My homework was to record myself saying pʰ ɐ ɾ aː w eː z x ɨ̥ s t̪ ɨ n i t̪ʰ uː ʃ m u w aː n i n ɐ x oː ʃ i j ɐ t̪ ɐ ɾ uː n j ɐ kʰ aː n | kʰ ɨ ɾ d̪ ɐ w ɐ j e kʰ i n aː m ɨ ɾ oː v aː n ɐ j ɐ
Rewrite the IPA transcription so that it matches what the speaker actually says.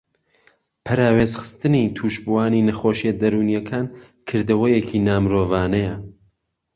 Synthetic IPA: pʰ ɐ ɾ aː w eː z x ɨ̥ s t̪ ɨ n i t̪ʰ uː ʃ b u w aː n i n ɐ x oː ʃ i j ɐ d̪ ɐ ɾ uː n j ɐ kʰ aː n | kʰ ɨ ɾ d̪ ɐ w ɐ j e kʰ i n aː m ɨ ɾ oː v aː n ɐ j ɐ

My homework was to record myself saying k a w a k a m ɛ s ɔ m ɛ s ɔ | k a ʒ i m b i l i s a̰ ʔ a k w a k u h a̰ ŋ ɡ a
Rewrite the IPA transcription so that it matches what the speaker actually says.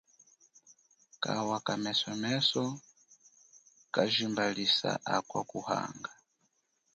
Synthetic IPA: k a w a k a m ɛ s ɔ m ɛ s ɔ | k a ʒ i m b a l i s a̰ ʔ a k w a k u h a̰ ŋ ɡ a

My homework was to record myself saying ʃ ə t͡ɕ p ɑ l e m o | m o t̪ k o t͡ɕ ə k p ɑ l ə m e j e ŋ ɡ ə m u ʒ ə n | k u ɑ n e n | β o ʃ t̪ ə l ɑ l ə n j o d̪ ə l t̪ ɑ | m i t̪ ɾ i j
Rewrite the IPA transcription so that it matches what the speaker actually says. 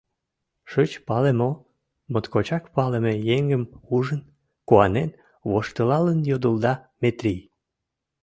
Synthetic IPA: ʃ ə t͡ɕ p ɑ l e m o | m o t̪ k o t͡ɕ ɑ k p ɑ l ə m e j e ŋ ɡ ə m u ʒ ə n | k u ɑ n e n | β o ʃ t̪ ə l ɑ l ə n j o d̪ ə l d̪ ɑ | m e t̪ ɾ i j

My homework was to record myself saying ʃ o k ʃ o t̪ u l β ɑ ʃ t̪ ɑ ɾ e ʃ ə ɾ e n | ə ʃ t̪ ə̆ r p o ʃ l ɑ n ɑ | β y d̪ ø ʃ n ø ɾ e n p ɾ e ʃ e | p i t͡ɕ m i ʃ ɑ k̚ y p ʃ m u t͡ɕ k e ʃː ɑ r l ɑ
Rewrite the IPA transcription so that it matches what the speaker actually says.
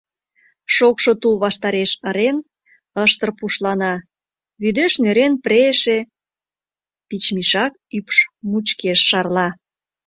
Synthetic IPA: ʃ o k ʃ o t̪ u l β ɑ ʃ t̪ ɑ ɾ e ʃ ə ɾ e n | ə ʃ t̪ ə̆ r p u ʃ l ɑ n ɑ | β y d̪ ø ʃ n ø ɾ e n p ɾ e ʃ e | p i t͡ɕ m i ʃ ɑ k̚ y p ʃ m u t͡ɕ k e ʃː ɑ r l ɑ

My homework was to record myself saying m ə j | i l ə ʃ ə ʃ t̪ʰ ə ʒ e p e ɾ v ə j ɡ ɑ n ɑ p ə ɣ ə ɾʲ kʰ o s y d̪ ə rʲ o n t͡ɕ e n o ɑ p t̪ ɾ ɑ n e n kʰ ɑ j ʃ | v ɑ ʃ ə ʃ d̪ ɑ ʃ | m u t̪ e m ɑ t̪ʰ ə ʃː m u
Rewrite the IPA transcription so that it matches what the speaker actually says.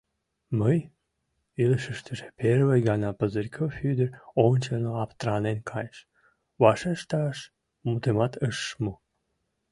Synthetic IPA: m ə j | i l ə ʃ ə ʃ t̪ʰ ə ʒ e p e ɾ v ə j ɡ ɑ n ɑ p ə z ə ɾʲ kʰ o f y d̪ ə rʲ o n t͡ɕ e n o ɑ p t̪ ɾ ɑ n e n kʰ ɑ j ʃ | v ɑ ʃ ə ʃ t̪ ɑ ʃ | m u t̪ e m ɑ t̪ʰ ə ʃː m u

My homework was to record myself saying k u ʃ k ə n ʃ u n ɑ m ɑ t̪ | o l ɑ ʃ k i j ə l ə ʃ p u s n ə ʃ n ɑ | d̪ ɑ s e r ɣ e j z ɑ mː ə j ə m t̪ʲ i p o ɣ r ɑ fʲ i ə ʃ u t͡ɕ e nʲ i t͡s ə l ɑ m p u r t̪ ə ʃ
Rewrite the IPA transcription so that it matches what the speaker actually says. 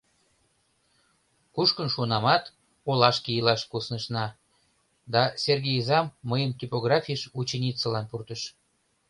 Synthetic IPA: k u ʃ k ə n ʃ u n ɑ m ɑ t̪ | o l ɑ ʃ k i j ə l ɑ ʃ k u s n ə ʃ n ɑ | d̪ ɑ s e r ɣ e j z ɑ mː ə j ə m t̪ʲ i p o ɣ r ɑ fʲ i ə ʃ u t͡ɕ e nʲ i t͡s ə l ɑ n p u r t̪ ə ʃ

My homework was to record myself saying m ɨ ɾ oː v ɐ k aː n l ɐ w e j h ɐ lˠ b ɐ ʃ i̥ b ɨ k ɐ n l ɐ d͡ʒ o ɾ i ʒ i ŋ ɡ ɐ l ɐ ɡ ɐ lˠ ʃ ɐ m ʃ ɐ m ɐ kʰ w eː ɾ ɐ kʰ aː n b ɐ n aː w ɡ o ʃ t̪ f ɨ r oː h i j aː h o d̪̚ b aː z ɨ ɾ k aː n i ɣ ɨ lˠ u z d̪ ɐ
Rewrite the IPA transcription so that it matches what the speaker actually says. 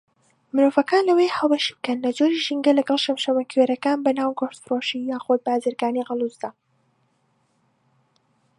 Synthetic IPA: m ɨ ɾ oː v ɐ k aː n l ɐ w e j h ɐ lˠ b ɐ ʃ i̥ b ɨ k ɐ n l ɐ d͡ʒ o ɾ i ʒ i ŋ ɡ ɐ l ɐ ɡ ɐ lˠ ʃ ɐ m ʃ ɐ m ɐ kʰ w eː ɾ ɐ k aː n b ɐ n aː w ɡ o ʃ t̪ f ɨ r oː ʃ i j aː x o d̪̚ b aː z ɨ ɾ ɡ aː n i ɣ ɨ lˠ u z d̪ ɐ

